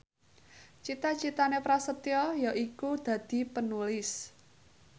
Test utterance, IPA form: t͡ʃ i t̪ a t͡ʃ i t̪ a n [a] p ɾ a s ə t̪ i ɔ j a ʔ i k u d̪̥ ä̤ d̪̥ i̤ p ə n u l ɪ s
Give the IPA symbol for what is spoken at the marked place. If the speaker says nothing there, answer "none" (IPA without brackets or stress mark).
e